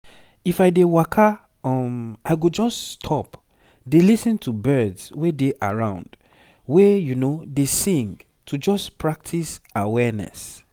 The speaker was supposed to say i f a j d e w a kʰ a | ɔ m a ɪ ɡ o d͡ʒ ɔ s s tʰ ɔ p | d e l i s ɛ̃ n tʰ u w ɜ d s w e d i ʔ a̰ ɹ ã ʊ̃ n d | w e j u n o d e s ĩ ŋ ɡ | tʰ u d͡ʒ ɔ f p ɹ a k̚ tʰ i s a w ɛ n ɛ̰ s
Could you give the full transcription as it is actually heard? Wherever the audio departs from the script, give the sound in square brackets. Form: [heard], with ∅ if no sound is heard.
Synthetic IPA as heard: i f a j d e w a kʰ a | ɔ m a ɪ ɡ o d͡ʒ ɔ s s tʰ ɔ p | d e l i s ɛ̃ n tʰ u [b] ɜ d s w e d [e] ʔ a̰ ɹ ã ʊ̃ n d | w e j u n o d e s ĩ ŋ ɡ | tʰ u d͡ʒ ɔ [s] p ɹ a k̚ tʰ i s a w ɛ n ɛ̰ s